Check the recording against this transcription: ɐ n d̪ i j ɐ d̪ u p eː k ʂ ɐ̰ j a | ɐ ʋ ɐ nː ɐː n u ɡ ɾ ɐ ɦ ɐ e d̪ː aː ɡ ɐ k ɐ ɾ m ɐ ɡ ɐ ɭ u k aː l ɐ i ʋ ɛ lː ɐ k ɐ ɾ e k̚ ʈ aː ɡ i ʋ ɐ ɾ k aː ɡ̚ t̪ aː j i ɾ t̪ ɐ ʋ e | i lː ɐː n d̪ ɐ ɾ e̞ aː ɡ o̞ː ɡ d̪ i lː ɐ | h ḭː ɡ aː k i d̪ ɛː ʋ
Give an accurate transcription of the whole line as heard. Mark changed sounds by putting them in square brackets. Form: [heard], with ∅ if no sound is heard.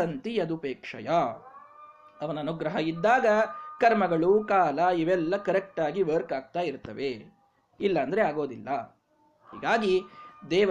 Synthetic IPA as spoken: ɐ n [t̪] i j ɐ d̪ u p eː k ʂ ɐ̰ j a | ɐ ʋ ɐ [n] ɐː n u ɡ ɾ ɐ ɦ ɐ [i] d̪ː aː ɡ ɐ k ɐ ɾ m ɐ ɡ ɐ ɭ u k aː l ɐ i ʋ ɛ lː ɐ k ɐ ɾ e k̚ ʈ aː ɡ i ʋ ɐ ɾ k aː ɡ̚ t̪ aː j i ɾ t̪ ɐ ʋ e | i lː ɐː n d̪ ɐ ɾ e̞ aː ɡ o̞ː [∅] d̪ i lː ɐ | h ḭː ɡ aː [ɡ] i d̪ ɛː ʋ